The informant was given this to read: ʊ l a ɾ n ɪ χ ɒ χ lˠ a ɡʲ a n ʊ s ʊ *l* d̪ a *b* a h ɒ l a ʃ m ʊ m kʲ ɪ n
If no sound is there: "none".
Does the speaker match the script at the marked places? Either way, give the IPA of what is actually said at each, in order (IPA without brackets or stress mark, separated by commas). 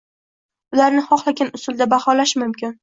l, b